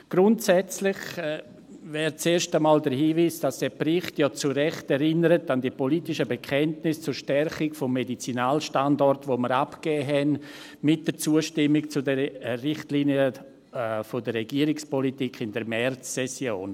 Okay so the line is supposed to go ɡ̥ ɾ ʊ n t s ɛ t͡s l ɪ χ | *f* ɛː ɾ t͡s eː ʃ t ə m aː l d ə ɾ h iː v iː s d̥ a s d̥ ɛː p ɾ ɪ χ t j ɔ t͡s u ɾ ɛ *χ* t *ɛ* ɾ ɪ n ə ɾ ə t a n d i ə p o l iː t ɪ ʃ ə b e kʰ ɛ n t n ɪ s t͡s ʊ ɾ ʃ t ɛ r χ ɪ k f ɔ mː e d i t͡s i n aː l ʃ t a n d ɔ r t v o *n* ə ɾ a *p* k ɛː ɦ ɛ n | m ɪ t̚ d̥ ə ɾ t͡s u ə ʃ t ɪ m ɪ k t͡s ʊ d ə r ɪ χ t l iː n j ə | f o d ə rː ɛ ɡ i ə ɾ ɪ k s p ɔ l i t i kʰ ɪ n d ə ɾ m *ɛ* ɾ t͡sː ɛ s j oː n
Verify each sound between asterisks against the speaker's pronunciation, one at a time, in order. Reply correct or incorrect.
incorrect, correct, correct, incorrect, correct, correct

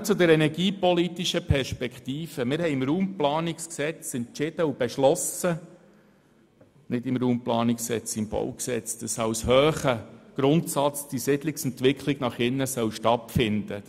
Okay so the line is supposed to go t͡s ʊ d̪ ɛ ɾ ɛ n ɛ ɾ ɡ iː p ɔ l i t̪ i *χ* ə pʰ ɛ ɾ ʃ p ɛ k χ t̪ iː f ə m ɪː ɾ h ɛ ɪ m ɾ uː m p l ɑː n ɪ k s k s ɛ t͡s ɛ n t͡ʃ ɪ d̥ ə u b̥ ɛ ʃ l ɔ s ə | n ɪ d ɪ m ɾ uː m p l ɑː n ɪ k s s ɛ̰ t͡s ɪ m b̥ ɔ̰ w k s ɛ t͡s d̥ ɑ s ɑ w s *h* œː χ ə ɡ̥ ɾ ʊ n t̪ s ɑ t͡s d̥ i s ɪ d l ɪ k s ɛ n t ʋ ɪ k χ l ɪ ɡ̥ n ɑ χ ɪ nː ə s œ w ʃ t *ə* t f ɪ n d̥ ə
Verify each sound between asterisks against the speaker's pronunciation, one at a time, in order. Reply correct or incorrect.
incorrect, correct, incorrect

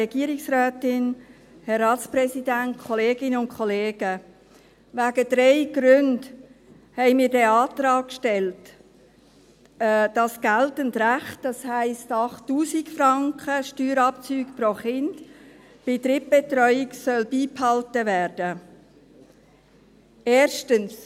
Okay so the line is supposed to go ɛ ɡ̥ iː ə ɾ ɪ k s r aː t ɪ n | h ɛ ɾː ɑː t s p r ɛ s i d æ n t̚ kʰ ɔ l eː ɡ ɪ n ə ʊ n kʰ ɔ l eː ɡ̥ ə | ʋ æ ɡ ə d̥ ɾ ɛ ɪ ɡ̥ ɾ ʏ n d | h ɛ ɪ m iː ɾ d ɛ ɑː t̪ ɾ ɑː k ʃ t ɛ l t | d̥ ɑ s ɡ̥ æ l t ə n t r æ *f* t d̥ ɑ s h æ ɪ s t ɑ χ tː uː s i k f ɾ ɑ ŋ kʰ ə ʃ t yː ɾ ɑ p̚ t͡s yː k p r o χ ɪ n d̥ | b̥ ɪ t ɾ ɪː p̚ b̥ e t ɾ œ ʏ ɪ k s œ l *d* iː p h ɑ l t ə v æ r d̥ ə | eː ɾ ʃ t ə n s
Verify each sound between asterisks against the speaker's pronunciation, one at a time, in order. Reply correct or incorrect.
incorrect, incorrect

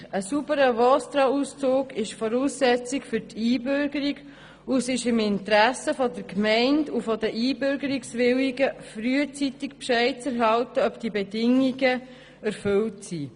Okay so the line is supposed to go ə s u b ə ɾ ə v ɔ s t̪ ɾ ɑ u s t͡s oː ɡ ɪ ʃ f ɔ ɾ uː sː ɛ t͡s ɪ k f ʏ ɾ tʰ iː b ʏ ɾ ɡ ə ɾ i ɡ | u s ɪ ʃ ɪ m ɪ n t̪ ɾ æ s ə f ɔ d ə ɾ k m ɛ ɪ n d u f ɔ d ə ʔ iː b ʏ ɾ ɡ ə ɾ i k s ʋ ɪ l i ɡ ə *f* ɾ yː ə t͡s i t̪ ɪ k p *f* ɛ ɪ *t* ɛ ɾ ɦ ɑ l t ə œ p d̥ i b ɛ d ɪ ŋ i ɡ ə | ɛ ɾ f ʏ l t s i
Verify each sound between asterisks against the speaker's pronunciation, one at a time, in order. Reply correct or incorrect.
correct, incorrect, incorrect

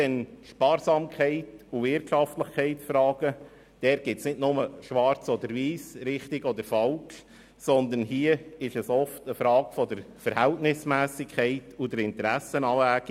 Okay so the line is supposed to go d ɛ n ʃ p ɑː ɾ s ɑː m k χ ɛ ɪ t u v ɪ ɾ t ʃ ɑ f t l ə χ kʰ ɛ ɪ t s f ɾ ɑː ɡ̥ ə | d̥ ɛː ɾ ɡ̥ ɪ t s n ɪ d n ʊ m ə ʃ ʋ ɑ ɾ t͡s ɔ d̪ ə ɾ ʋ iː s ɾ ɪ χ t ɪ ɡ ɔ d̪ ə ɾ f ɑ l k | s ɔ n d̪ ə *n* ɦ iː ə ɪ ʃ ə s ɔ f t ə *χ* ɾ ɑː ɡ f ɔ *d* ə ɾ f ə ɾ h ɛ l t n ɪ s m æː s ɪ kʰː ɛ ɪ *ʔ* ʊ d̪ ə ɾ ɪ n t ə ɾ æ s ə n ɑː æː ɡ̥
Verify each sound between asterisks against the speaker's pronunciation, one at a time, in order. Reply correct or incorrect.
correct, incorrect, correct, incorrect

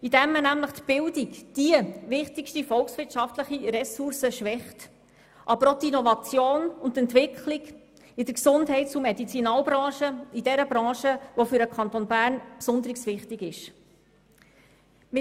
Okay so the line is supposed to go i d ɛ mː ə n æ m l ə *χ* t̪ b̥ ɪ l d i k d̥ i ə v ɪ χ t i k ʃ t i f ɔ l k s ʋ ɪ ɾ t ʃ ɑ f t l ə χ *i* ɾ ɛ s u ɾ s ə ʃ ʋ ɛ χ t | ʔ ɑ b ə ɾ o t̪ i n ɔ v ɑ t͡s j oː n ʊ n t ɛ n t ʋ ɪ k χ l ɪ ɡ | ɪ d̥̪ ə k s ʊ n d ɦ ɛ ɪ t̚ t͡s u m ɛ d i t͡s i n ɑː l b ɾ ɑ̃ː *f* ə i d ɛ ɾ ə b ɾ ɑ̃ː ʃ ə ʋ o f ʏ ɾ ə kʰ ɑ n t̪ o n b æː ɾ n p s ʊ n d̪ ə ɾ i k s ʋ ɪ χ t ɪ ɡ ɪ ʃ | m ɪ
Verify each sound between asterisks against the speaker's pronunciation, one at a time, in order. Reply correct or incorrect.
correct, correct, incorrect

